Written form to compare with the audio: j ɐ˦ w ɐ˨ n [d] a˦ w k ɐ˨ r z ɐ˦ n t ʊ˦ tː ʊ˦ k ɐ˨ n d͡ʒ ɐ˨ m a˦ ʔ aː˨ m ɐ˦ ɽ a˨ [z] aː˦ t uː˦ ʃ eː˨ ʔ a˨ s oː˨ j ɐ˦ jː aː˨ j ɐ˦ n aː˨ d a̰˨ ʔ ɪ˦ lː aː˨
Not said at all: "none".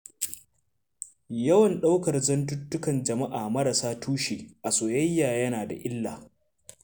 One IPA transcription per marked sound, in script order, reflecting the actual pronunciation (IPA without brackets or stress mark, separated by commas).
ɗ, s